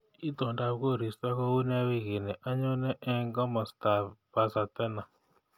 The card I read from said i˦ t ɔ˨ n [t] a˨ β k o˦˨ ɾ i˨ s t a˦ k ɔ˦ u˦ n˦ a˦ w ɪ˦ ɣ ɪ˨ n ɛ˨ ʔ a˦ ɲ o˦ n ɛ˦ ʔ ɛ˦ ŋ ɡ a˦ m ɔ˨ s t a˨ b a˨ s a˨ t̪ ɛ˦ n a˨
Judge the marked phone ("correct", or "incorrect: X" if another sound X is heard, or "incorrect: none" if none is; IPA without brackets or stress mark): incorrect: d